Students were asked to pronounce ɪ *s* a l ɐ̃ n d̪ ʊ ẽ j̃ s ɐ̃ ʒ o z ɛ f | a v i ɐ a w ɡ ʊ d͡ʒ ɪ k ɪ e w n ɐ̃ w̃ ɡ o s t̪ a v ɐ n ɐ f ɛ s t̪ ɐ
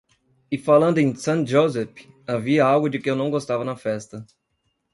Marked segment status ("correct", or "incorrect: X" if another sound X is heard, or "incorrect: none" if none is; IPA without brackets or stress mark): incorrect: f